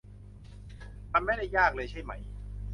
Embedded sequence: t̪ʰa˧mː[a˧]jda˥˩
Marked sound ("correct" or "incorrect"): incorrect